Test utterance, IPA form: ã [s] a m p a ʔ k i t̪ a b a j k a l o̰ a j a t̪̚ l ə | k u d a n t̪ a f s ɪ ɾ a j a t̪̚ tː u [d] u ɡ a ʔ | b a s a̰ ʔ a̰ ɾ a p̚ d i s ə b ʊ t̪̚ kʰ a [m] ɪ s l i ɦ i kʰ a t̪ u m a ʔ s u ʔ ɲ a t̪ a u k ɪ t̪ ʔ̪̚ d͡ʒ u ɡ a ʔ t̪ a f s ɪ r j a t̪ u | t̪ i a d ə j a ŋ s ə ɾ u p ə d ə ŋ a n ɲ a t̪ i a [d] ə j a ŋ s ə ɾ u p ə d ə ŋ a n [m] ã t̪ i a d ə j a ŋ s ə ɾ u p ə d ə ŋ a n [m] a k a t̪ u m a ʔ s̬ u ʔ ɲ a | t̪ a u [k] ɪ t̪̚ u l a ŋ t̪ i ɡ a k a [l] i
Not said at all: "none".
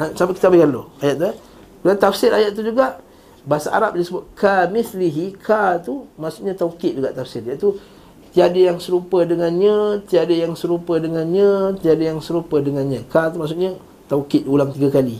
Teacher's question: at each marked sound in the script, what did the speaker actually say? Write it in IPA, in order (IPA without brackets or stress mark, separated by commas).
s, d͡ʒ, m, d, ɲ, ɲ, k, l